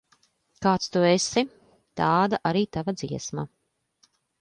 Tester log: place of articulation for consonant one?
velar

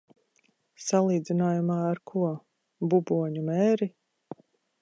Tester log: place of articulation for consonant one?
alveolar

